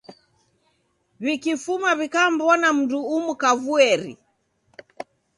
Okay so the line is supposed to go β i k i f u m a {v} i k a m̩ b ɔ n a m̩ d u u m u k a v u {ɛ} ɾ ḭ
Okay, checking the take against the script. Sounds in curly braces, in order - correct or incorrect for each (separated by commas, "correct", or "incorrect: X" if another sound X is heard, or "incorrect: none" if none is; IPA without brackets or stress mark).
incorrect: β, correct